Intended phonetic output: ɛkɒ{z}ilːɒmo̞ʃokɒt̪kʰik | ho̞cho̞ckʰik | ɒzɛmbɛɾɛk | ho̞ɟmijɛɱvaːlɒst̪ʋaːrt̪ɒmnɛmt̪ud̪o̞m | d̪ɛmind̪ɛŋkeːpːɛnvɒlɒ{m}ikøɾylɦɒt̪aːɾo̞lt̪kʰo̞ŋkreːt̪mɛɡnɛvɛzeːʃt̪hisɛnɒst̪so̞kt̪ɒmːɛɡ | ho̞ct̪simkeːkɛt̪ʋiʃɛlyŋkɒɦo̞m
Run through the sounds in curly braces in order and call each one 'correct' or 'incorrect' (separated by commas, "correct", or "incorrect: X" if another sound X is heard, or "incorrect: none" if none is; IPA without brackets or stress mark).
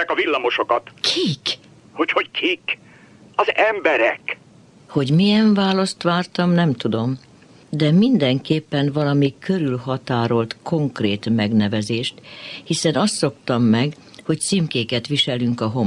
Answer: incorrect: v, correct